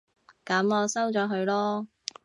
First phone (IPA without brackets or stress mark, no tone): k